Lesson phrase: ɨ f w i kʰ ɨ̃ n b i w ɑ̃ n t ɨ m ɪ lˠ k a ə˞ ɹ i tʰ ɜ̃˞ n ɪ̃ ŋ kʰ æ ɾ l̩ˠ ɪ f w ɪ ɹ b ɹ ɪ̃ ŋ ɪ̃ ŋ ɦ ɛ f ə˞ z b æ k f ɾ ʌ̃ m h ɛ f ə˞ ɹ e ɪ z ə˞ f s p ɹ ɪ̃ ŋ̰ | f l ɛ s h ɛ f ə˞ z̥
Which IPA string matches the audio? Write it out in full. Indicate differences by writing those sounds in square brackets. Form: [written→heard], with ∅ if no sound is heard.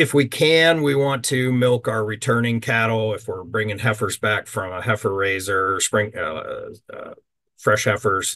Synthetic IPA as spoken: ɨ f w i kʰ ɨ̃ n [b→w] i w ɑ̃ n [t→tʰ] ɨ m ɪ lˠ k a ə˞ ɹ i tʰ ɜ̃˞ n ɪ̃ ŋ kʰ æ ɾ l̩ˠ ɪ f w ɪ ɹ b ɹ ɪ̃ ŋ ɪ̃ ŋ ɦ ɛ f ə˞ z b æ k f [ɾ→ɹ] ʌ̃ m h ɛ f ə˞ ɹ e ɪ z ə˞ [f→∅] s p ɹ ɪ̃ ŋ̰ | f [l→ɹ] ɛ [s→ʃ] h ɛ f ə˞ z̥